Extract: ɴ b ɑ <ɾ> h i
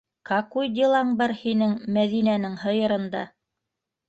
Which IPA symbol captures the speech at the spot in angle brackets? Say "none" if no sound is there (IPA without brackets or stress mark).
ɾ